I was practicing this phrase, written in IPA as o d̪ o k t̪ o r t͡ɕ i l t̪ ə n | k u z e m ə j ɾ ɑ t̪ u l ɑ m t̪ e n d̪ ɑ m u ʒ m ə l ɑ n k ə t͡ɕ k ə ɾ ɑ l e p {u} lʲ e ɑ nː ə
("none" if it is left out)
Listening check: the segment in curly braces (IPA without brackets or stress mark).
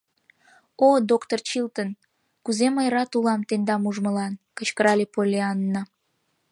o